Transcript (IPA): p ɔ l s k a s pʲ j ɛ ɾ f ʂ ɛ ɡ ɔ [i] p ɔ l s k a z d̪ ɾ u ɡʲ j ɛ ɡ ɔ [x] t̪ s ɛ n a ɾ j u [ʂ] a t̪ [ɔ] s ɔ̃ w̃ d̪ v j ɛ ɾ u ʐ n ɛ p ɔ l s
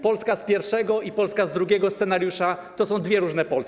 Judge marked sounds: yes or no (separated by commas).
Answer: yes, no, yes, yes